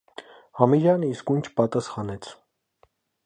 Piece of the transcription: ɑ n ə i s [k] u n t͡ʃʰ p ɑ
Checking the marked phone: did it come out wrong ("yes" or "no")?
no